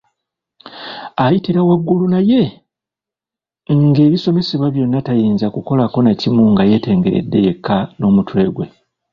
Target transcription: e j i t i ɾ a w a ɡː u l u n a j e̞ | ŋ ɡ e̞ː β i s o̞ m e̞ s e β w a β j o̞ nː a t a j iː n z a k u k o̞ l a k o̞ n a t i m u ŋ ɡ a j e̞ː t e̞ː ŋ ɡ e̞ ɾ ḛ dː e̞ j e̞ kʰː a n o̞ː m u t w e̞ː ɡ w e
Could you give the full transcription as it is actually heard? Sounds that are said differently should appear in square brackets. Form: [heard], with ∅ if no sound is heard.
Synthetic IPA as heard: [a] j i t i ɾ a w a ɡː u l u n a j e̞ | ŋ ɡ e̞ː β i s o̞ m e̞ s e β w a β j o̞ nː a t a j iː n z a k u k o̞ l a k o̞ n a [c] i m u ŋ ɡ a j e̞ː t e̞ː ŋ ɡ e̞ ɾ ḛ dː e̞ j e̞ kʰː a n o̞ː m u t w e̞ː ɡ w e